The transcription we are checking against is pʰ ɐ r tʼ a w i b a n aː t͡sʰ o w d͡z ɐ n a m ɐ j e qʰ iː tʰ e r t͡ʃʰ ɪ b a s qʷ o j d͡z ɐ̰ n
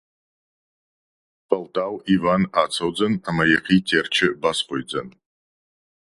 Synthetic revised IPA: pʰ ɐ l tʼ a w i v a n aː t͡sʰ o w d͡z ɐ n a m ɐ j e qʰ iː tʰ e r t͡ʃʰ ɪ b a s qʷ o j d͡z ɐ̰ n